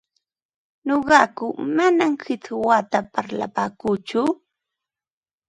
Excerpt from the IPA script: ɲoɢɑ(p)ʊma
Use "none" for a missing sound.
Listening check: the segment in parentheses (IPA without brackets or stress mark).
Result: k